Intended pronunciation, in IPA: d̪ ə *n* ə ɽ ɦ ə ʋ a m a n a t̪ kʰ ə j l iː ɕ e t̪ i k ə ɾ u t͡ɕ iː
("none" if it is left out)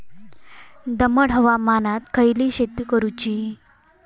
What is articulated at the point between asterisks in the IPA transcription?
m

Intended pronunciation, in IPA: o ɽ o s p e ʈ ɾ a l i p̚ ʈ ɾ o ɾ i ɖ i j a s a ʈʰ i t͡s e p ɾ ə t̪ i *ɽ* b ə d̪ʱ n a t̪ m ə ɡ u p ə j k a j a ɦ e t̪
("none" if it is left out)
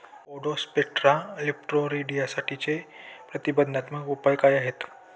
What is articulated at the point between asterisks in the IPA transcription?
none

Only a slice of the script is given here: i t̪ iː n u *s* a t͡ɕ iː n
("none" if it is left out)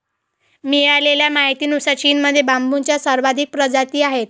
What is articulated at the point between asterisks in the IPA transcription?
s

